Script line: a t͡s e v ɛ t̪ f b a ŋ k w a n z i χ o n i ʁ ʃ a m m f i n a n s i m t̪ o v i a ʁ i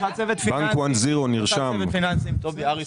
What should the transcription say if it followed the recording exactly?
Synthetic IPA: a t͡s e v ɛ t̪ f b a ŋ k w a n z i ʁ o n i ʁ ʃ a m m f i n a n s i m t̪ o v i a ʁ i